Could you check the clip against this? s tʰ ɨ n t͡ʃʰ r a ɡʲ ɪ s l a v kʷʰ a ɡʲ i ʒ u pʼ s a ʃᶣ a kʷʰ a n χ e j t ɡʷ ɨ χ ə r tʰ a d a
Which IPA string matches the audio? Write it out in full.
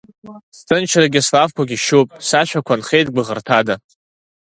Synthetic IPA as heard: s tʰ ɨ n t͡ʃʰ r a ɡʲ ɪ s l a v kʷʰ a ɡʲ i ʃ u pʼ s a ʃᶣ a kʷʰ a n χ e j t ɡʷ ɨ ʁ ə r tʰ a d a